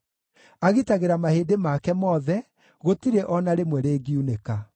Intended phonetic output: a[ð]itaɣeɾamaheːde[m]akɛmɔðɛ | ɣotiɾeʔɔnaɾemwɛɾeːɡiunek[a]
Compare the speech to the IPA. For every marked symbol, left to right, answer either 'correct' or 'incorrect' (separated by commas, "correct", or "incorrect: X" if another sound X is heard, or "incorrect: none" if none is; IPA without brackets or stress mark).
incorrect: ɣ, correct, correct